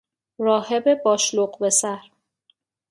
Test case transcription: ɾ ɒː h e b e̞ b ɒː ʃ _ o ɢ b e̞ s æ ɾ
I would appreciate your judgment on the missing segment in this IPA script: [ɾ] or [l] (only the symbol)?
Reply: l